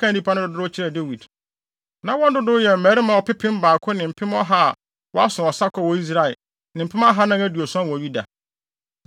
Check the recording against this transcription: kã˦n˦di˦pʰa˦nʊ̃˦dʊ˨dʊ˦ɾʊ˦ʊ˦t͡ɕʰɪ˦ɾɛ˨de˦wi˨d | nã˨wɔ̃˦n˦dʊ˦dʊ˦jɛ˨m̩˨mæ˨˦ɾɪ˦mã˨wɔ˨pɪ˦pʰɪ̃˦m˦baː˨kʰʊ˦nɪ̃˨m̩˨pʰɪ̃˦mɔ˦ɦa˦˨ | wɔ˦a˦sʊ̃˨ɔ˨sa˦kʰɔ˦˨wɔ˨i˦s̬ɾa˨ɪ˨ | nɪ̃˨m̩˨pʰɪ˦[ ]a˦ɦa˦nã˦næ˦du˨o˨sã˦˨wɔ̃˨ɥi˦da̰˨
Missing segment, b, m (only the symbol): m